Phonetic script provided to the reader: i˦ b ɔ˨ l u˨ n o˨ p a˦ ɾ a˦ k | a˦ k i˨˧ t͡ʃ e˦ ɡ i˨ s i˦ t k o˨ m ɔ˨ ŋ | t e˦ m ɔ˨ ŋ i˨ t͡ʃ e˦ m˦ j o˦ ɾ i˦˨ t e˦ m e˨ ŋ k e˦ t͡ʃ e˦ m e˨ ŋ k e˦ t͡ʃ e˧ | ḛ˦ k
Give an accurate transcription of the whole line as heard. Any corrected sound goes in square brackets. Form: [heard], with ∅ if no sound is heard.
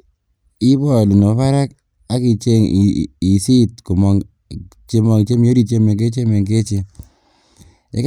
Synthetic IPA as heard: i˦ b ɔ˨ l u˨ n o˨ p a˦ ɾ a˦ k | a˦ k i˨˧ t͡ʃ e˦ [ŋ] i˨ s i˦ t k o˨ m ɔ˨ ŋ | [t͡ʃ] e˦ m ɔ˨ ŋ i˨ t͡ʃ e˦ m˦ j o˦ ɾ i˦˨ [t͡ʃ] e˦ m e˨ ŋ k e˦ t͡ʃ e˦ m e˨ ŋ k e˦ t͡ʃ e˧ | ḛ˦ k